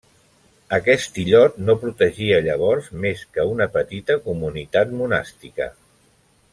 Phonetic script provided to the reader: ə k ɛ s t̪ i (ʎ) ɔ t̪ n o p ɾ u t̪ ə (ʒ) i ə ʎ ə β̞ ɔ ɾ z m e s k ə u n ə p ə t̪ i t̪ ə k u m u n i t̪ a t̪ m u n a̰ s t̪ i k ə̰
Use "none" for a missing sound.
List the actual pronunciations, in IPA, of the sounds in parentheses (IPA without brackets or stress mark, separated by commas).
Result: ʎ, ʒ